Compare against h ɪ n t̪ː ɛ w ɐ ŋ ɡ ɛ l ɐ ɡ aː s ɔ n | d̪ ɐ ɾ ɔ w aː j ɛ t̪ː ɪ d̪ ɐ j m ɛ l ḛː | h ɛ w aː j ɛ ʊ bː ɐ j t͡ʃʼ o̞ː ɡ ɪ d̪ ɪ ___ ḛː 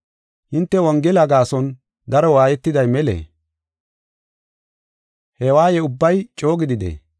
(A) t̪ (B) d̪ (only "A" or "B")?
B